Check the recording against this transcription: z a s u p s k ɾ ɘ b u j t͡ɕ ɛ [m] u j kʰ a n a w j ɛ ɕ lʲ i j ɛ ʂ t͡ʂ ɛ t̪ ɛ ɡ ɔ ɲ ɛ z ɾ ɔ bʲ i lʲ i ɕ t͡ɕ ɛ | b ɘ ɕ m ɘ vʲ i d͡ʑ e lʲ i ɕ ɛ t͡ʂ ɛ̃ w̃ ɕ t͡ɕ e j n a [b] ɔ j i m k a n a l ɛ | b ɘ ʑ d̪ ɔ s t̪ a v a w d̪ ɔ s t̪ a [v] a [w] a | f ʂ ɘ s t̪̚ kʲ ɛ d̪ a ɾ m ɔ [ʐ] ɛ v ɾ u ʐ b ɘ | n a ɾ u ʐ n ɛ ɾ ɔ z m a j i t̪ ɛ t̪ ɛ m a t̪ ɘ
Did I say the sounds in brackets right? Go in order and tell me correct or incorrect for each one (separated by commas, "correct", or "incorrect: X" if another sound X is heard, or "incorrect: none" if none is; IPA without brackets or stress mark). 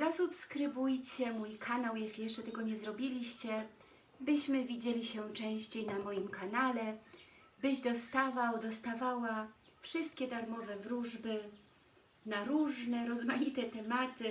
correct, incorrect: m, correct, correct, incorrect: v